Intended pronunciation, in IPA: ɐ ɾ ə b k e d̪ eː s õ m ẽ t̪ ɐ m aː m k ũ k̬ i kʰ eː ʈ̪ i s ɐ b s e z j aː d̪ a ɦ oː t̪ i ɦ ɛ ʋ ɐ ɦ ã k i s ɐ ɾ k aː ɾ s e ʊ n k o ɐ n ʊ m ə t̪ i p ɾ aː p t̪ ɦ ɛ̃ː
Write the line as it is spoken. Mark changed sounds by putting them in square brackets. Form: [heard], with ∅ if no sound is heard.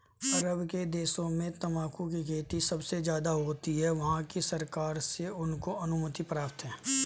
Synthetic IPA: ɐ ɾ ə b k e d̪ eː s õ m ẽ t̪ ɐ m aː [∅] k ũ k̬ i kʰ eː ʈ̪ i s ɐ b s e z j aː d̪ a ɦ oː t̪ i ɦ ɛ ʋ ɐ ɦ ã k i s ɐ ɾ k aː ɾ s e ʊ n k o ɐ n ʊ m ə t̪ i p ɾ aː p t̪ ɦ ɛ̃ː